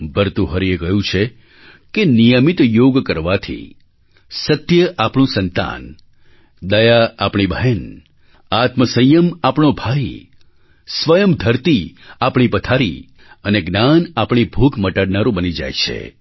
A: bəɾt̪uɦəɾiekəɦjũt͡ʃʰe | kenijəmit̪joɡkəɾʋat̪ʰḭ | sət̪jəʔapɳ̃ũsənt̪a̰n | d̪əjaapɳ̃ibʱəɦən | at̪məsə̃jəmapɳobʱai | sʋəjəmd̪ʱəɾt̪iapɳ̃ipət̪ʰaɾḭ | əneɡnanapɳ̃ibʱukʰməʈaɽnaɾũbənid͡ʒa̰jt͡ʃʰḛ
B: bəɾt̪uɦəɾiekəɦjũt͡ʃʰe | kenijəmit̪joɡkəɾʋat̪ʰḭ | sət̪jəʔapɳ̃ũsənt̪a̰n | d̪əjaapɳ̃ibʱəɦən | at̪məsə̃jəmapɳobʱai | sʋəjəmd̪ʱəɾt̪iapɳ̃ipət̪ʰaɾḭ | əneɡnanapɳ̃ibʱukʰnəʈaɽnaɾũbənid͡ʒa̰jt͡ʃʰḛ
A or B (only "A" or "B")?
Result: A